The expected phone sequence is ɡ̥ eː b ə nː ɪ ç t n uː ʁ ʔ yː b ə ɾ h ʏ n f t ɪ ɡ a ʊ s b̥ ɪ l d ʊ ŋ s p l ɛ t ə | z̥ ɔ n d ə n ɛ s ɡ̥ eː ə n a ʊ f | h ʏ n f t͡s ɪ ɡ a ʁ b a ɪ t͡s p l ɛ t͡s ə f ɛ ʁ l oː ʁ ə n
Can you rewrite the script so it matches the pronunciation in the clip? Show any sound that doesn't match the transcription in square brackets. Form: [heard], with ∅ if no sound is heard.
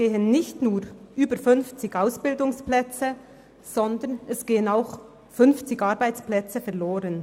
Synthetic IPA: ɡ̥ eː [∅] ə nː ɪ ç t n uː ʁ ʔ yː b ə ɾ [f] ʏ n f [t͡s] ɪ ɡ a ʊ s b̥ ɪ l d ʊ ŋ s p l ɛ [t͡s] ə | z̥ ɔ n d ə n ɛ s ɡ̥ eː ə n a ʊ [x] | [f] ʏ n f t͡s ɪ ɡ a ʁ b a ɪ t͡s p l ɛ t͡s ə f ɛ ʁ l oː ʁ ə n

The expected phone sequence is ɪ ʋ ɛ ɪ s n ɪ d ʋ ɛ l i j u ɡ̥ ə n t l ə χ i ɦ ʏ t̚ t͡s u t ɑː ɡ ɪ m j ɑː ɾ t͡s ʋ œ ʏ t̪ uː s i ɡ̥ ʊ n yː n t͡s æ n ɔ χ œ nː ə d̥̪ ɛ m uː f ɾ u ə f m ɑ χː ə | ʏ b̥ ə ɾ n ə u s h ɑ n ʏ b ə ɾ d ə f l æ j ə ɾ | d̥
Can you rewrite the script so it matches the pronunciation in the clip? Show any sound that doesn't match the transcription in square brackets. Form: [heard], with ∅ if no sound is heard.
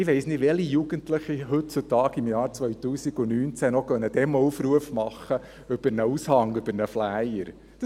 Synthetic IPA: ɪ ʋ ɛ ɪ s n ɪ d ʋ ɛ l i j u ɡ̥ ə n t l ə χ i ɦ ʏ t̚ t͡s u t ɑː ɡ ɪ m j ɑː ɾ t͡s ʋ œ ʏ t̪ uː s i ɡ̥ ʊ n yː n t͡s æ n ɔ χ œ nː ə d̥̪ ɛ m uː f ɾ u ə f m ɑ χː ə | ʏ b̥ ə ɾ n ə u s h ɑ [ŋ] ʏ b ə ɾ [n] ə f l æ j ə ɾ | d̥

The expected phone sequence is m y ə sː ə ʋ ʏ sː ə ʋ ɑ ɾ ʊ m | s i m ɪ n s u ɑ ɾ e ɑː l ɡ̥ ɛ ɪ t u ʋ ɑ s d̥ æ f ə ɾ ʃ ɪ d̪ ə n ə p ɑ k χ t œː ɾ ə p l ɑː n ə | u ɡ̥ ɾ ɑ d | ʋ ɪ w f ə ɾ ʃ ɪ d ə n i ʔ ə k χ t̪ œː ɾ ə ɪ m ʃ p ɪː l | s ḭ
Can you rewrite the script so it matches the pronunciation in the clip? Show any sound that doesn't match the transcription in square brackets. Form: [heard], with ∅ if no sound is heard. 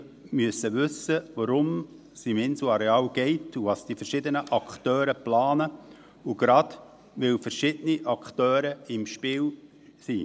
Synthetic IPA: m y ə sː ə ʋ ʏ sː ə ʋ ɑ ɾ ʊ m | s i m ɪ n s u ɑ ɾ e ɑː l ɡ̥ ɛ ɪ t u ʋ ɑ s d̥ [i] f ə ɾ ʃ ɪ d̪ ə n ə [ʔ] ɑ k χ t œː ɾ ə p l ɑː n ə | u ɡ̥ ɾ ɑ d | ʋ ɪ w f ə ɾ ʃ ɪ d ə n i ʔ [ɑ] k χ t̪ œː ɾ ə ɪ m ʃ p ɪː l | s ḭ

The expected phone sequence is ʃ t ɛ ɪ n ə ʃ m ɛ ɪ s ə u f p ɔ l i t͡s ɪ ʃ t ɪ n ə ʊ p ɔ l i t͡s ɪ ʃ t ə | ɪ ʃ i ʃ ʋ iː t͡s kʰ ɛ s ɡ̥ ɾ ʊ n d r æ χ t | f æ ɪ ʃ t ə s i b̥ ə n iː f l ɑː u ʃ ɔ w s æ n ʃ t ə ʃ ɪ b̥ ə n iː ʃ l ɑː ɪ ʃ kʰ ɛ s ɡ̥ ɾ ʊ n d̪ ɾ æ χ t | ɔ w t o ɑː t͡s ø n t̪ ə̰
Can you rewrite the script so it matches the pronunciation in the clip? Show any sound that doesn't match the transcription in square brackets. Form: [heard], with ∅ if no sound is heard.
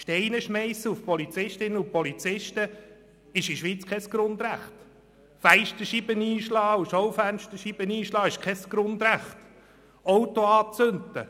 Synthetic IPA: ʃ t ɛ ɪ n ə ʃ m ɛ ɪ s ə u f p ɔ l i t͡s ɪ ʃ t ɪ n ə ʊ p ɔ l i t͡s ɪ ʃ t ə | ɪ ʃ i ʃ ʋ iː t͡s kʰ ɛ s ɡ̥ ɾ ʊ n d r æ χ t | f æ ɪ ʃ t ə [ʃ] i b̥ ə n iː [ʃ] l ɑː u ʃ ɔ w [f] æ n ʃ t ə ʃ [i] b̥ ə n iː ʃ l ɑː ɪ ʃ kʰ ɛ s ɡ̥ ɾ ʊ n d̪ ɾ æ χ t | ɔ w t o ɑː t͡s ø n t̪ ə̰

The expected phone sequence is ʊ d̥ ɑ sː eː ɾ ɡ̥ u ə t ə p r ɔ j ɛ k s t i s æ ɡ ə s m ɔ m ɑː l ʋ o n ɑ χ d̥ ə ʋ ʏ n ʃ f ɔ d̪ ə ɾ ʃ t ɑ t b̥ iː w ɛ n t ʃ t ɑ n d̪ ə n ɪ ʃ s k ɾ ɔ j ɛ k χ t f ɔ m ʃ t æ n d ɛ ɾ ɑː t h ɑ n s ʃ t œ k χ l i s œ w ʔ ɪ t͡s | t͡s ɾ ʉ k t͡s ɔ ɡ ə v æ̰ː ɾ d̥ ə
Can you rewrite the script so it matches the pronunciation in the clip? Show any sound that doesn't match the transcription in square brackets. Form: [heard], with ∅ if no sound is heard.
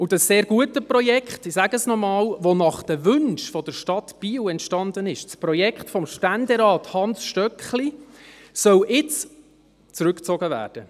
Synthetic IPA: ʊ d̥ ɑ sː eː ɾ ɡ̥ u ə t ə p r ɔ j ɛ k [χ] t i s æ ɡ ə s [n] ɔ m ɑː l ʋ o n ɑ χ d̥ ə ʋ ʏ n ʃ f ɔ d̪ ə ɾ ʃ t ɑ t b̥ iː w ɛ n t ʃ t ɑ n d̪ ə n ɪ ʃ s [p] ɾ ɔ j ɛ k χ t f ɔ m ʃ t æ n d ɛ ɾ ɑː t h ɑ n s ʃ t œ k χ l i s œ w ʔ ɪ t͡s | t͡s ɾ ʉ k t͡s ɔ ɡ ə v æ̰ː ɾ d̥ ə

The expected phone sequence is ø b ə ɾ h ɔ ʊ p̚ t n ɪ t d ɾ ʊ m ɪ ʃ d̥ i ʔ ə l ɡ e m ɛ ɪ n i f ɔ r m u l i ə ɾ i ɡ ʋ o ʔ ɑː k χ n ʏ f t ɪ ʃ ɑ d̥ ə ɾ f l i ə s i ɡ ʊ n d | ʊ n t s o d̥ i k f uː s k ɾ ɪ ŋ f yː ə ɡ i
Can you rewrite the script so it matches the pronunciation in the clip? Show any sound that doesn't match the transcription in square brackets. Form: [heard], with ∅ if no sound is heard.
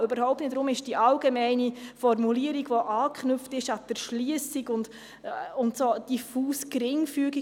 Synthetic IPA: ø b ə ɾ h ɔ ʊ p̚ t n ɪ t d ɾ ʊ m ɪ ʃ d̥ i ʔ [ɑ] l ɡ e m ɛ ɪ n i f ɔ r m u l i ə ɾ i ɡ ʋ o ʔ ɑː k χ n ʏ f t ɪ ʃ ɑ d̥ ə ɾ [ʃ] l i ə s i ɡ ʊ n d | ʊ n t s o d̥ i [∅] f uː s k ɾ ɪ ŋ f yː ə ɡ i

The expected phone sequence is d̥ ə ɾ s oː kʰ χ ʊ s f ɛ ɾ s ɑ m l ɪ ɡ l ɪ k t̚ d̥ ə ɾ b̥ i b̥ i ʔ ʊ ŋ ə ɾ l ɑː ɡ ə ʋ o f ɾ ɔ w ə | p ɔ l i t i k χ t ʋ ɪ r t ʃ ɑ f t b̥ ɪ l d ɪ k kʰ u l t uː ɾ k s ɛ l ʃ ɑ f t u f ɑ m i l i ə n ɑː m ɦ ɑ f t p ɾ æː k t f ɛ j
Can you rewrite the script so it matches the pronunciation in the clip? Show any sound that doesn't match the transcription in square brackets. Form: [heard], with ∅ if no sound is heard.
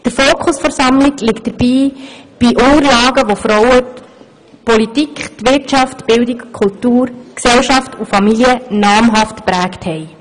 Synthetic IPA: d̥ ə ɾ [f] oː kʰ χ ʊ s f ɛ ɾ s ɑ m l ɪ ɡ l ɪ k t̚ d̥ ə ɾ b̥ [iː] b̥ i ʔ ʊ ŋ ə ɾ l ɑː ɡ ə ʋ o f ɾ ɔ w ə | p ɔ l i t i k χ t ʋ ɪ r t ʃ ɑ f t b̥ ɪ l d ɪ k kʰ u l t uː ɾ k s ɛ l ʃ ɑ f t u f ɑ m i l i ə n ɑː m ɦ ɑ f t p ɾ æː k t [h] ɛ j

